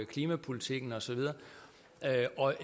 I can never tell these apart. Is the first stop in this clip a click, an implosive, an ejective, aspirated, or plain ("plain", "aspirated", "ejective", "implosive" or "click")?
aspirated